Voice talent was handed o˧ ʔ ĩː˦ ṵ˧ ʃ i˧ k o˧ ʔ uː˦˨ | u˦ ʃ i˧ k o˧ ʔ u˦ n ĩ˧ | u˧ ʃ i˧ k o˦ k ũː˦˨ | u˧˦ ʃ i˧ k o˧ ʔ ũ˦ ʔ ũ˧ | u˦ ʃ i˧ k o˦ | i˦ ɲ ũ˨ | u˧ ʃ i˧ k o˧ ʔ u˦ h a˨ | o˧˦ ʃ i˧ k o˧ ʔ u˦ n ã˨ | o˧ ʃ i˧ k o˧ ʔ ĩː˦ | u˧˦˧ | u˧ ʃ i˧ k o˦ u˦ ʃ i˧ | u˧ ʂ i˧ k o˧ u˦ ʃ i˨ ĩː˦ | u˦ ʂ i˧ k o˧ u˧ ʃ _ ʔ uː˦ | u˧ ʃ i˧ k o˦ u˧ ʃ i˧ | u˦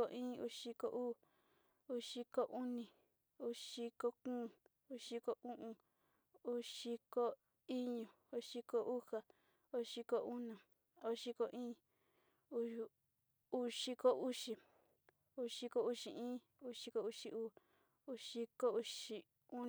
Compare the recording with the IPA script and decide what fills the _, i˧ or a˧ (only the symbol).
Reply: i˧